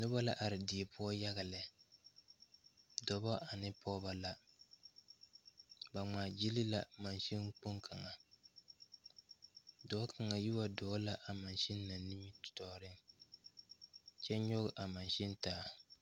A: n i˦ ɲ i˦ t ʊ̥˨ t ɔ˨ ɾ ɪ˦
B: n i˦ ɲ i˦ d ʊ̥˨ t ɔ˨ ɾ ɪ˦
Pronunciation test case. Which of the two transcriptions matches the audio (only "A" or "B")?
A